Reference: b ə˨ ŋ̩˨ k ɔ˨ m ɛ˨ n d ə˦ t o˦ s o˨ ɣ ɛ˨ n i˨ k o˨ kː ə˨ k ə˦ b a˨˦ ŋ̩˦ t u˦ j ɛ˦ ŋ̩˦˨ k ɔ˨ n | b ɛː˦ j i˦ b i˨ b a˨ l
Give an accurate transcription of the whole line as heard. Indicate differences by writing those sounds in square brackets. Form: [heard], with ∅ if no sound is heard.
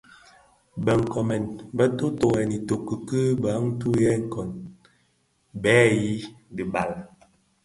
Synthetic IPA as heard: b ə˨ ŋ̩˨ k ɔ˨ m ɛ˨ n [b] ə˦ t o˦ [t] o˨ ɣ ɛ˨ n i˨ [t] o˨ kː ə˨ k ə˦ b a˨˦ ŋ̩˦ t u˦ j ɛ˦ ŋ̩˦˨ k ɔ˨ n | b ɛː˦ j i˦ [d] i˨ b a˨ l